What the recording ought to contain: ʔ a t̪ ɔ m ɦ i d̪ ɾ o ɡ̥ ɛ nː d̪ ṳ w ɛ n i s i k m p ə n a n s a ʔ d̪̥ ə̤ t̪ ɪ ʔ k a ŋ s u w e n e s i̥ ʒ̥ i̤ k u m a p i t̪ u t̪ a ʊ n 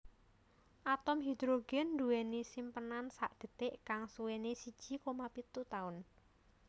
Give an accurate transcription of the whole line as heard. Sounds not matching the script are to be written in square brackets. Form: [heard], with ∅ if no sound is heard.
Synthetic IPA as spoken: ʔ a t̪ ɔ m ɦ i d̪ ɾ o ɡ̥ ɛ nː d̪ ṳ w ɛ n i s i [∅] m p ə n a n s a ʔ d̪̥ ə̤ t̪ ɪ ʔ k a ŋ s u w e n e s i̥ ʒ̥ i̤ k [o] m a p i t̪ u t̪ a ʊ n